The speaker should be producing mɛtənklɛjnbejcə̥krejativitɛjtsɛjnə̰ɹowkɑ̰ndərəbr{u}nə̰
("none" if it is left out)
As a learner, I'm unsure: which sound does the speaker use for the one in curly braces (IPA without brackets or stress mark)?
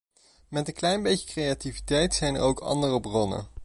ɔ